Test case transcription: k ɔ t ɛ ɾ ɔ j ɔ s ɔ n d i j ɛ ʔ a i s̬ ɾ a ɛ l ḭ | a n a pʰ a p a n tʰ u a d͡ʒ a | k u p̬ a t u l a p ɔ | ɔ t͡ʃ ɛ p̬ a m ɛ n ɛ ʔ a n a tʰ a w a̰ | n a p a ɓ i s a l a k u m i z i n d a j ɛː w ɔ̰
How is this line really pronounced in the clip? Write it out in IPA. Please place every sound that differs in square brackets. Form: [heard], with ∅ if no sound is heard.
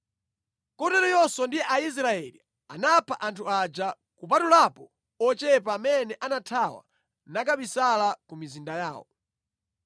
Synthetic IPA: k ɔ t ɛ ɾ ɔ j ɔ s ɔ n d i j ɛ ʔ a i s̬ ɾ a ɛ l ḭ | a n a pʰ a [ʔ] a n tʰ u a d͡ʒ a | k u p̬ a t u l a p ɔ | ɔ t͡ʃ ɛ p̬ a m ɛ n ɛ ʔ a n a tʰ a w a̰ | n a [k] a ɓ i s a l a k u m i z i n d a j [aː] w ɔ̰

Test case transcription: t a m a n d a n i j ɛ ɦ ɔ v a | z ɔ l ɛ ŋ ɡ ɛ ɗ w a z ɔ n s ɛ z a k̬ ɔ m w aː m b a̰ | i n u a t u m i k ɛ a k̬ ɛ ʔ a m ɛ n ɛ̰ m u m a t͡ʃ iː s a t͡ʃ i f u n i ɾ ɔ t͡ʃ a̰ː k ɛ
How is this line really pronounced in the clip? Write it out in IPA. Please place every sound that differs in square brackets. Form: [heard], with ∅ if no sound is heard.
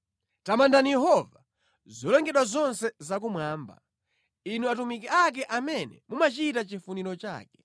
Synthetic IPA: t a m a n d a n i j ɛ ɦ ɔ v a | z ɔ l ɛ ŋ ɡ ɛ ɗ w a z ɔ n s ɛ z a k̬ [u] m w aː m b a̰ | i n u a t u m i k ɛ a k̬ ɛ ʔ a m ɛ n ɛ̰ m u m a t͡ʃ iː [t] a t͡ʃ i f u n i ɾ ɔ t͡ʃ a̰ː k ɛ

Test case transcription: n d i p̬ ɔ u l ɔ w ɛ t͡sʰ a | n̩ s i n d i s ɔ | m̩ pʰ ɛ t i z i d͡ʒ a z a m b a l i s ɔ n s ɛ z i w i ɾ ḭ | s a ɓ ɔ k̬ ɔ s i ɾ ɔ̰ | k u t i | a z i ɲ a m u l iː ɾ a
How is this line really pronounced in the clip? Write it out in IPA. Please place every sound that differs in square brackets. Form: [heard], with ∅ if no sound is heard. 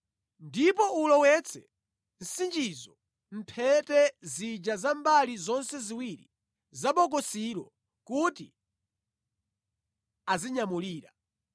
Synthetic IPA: n d i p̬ ɔ u l ɔ w ɛ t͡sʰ [ɛ] | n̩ s i n [d͡ʒ] i [z] ɔ | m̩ pʰ ɛ t [ɛ] z i d͡ʒ a z a m b a l i [z] ɔ n s ɛ z i w i ɾ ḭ | [z] a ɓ ɔ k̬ ɔ s i ɾ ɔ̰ | k u t i | a z i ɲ a m u l iː ɾ a

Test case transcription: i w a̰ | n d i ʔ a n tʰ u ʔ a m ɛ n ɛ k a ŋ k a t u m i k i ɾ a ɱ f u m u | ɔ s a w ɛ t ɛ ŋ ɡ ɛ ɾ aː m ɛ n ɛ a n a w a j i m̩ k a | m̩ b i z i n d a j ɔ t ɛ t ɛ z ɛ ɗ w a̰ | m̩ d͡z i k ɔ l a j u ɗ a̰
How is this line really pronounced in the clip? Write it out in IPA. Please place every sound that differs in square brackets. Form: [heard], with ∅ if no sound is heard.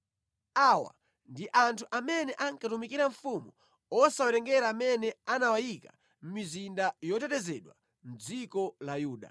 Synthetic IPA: [a] w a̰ | n d i ʔ a n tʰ u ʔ a m ɛ n ɛ [ʔ] a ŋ k a t u m i k i ɾ a ɱ f u m u | ɔ s a w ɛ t ɛ ŋ ɡ ɛ ɾ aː m ɛ n ɛ a n a w a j i [∅] k a | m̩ [m] i z i n d a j ɔ t ɛ t ɛ z ɛ ɗ w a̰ | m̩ d͡z i k ɔ l a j [uː] ɗ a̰

